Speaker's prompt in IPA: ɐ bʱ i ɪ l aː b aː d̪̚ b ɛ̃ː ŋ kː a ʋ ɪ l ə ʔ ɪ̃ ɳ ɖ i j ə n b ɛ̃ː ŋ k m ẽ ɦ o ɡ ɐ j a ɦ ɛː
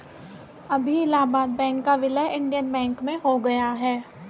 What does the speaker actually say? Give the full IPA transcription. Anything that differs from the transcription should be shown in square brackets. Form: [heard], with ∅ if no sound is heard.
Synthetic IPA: ɐ bʱ i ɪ l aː b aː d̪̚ b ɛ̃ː ŋ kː a ʋ ɪ l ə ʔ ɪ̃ ɳ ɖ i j ə n b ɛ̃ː ŋ k m ẽ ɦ o ɡ ɐ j a ɦ ɛː